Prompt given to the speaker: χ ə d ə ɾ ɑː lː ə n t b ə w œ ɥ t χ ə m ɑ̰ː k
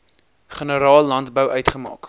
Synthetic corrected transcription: χ ə n ə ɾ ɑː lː ɐ n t b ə w œ ɥ t χ ə m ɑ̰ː k

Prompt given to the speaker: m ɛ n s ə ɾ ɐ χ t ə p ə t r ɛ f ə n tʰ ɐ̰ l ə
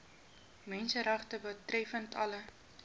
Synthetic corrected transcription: m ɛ n s ə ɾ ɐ χ t ə b ə t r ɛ f ə n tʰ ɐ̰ l ə

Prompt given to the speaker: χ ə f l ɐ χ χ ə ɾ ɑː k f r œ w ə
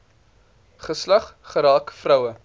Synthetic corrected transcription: χ ə s l ɐ χ χ ə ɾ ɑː k f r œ w ə

